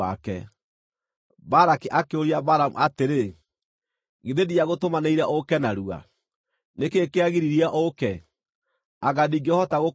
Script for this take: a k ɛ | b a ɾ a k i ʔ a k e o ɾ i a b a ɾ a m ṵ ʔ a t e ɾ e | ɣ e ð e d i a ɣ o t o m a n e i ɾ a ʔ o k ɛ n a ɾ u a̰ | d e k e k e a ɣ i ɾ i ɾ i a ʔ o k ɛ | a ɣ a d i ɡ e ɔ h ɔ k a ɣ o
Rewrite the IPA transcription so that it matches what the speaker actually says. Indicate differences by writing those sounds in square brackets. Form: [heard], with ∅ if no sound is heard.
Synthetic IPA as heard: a k ɛ | b a ɾ a k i ʔ a k e o ɾ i a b a ɾ a m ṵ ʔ a t e ɾ e | ɣ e ð e d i a ɣ o t o m a n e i ɾ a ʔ o k ɛ n a ɾ u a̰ | [n] e k e k e a ɣ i ɾ i ɾ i a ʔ o k ɛ | a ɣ a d i ɡ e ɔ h ɔ [t] a ɣ o

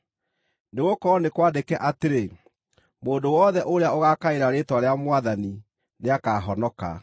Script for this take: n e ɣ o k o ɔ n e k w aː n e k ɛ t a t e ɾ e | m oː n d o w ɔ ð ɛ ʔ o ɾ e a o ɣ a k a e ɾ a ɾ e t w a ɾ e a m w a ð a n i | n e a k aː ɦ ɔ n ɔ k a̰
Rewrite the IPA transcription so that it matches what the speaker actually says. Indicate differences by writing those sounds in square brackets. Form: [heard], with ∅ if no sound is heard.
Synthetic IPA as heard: n e ɣ o k [ɔ] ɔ n e k w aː [d] e k ɛ [ʔ] a t e ɾ e | m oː n d o w ɔ ð ɛ ʔ o ɾ e a o ɣ a k a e ɾ a ɾ e t w a ɾ e a m w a ð a n i | n e a k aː ɦ ɔ n ɔ k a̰

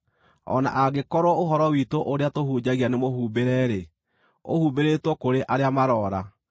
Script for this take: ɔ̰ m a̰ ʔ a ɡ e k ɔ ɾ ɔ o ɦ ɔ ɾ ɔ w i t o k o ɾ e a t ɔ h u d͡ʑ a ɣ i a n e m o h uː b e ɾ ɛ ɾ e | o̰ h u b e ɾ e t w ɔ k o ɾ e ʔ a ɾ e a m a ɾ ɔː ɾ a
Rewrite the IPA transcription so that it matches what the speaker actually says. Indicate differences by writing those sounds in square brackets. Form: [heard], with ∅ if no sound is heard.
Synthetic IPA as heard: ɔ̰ [n] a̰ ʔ a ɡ e k ɔ ɾ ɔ o ɦ ɔ ɾ ɔ w i t o [ʔ] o ɾ e a t [o] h u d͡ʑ a ɣ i a n e m o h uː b e ɾ ɛ ɾ e | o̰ h u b e ɾ e t w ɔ k o ɾ e ʔ a ɾ e a m a ɾ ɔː ɾ a

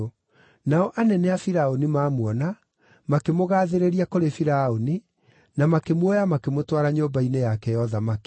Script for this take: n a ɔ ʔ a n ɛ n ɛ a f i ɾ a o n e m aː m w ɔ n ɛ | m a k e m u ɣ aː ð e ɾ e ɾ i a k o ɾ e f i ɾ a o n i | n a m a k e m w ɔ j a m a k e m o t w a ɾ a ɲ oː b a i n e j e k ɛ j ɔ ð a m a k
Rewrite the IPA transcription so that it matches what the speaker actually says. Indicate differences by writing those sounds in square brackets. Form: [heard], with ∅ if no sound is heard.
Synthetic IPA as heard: n a ɔ ʔ a n ɛ n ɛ a f i ɾ a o n [i] m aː m w ɔ n [a] | m a k e m [o] ɣ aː ð e ɾ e ɾ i a k o ɾ e f i ɾ a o n i | n a m a k e m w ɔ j a m a k e m o t w a ɾ a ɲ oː b a i n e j [a] k ɛ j ɔ ð a m a k

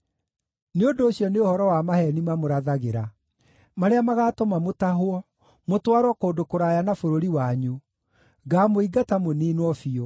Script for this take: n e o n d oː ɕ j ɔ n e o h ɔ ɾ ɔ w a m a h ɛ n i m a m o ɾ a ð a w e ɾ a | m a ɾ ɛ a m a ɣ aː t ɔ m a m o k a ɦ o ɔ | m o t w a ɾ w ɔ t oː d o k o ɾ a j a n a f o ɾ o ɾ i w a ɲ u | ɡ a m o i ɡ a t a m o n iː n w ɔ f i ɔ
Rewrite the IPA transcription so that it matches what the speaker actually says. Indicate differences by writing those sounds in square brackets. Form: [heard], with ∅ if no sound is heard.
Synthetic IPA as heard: n e o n d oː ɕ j ɔ n e o h ɔ ɾ ɔ w a m a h ɛ n i m a m o ɾ a ð a [ɣ] e ɾ a | m a ɾ [e] a m a ɣ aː t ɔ m a m o [t] a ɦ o ɔ | m o t w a ɾ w ɔ [k] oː d o k o ɾ a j a n a f o ɾ o ɾ i w a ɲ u | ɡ a m o i ɡ a t a m o n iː n w ɔ f i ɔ

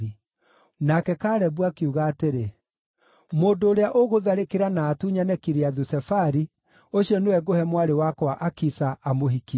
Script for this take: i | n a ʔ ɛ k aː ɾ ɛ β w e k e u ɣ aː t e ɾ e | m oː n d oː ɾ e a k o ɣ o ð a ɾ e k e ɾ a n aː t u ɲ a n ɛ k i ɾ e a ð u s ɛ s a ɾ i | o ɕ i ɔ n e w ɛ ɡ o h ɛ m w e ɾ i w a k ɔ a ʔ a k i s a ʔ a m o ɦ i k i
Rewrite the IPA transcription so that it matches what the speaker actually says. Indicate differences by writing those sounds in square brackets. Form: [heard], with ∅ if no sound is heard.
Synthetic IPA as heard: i | n a [k] ɛ k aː ɾ ɛ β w [a] k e u ɣ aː t e ɾ e | m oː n d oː ɾ e a [ʔ] o ɣ o ð a ɾ e k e ɾ a n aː t u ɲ a n ɛ k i ɾ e a ð u s ɛ [f] a ɾ i | o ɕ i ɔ n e w ɛ ɡ o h ɛ m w [a] ɾ [e] w a k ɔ a ʔ a k i s a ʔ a m o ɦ i k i

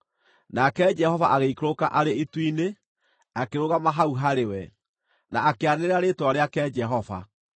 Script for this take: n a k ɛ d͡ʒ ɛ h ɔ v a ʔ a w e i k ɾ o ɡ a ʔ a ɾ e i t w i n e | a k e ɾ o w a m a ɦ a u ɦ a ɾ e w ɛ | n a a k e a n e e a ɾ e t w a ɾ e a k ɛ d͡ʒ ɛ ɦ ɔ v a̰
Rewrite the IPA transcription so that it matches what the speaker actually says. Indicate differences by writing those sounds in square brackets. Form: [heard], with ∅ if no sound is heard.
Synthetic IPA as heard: n a k ɛ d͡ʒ ɛ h ɔ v a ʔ a [ɣ] e i k ɾ o [k] a ʔ a ɾ e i t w i n e | a k e ɾ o [ɣ] a m a ɦ a u ɦ a ɾ e w ɛ | n a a k e a n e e a ɾ e t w a ɾ e a k ɛ d͡ʒ ɛ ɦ ɔ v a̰

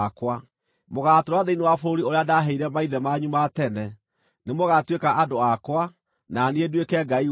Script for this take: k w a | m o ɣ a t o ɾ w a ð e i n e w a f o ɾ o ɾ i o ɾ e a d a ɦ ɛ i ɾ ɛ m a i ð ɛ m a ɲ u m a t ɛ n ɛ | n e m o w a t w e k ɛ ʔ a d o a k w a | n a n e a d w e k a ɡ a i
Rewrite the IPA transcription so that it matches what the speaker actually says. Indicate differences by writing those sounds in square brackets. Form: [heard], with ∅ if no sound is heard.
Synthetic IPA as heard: k w a | m o ɣ a t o ɾ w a ð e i n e w a f o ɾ o ɾ i o ɾ e a d a ɦ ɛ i ɾ ɛ m a i ð ɛ m a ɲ u m a t ɛ n ɛ | n e m o [ɣ] a t w e k [a] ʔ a d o a k w a | n a n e [e] d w e k [ɛ] ɡ a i

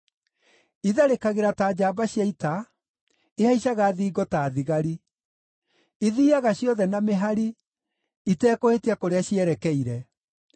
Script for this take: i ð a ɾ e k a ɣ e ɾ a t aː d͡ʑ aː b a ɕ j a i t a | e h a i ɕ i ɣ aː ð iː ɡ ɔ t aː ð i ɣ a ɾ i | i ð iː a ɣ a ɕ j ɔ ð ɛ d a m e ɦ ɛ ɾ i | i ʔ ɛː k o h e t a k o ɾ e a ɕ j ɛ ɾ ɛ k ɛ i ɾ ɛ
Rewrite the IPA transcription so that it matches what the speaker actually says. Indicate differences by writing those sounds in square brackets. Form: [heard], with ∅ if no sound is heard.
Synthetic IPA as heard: i ð a ɾ e k a ɣ e ɾ a t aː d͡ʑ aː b a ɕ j a i t a | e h a i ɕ [a] ɣ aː ð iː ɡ ɔ t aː ð i ɣ a ɾ i | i ð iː a ɣ a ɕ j ɔ ð ɛ [n] a m e ɦ [a] ɾ i | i [t] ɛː k o h e t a k o ɾ e a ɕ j ɛ ɾ ɛ k ɛ i ɾ ɛ

